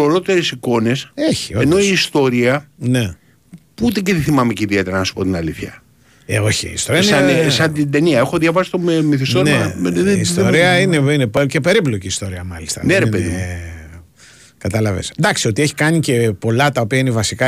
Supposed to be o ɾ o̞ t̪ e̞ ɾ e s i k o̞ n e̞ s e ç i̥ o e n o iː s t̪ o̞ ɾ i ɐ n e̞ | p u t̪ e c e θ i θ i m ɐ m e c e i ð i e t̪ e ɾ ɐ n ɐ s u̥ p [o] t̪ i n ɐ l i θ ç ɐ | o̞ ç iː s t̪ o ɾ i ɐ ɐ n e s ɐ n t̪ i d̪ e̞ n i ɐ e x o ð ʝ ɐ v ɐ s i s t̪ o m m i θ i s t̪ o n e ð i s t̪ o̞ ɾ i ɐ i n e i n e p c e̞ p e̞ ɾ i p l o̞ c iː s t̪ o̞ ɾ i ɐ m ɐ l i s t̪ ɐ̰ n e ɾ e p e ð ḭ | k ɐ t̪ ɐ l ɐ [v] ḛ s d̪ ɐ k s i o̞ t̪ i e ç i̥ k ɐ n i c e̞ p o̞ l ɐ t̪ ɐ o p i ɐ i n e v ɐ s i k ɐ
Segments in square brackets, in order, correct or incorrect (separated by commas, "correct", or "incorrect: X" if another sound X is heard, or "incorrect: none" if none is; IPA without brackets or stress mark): correct, correct